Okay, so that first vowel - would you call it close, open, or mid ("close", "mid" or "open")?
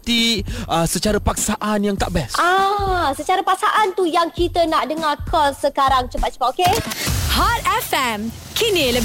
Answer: close